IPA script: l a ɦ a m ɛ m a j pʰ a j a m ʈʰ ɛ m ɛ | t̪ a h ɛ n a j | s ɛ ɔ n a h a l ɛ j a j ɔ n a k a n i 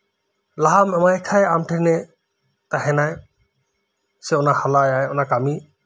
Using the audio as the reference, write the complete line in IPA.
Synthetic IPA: l a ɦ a m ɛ m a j kʰ a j a m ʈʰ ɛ n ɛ | t̪ a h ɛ n a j | s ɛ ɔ n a h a l a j a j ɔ n a k a m i